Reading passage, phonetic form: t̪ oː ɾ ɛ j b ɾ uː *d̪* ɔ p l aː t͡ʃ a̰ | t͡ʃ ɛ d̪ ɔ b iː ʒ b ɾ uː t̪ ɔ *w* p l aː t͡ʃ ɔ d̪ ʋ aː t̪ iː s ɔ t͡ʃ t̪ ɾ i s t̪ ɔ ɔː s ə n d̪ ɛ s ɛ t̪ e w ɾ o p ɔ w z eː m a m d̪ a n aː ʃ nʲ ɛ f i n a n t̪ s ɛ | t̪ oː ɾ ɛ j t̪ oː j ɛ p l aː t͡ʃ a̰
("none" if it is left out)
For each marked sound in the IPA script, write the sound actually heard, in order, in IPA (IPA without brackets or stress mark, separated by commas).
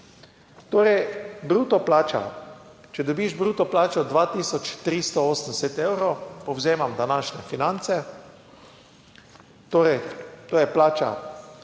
t̪, none